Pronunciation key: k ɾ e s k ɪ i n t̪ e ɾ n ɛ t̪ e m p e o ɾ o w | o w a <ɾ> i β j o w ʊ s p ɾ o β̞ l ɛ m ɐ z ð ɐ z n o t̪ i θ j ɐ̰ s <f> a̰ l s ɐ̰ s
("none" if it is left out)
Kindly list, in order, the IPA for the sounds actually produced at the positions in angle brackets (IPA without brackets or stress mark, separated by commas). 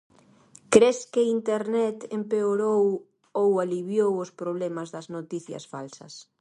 l, f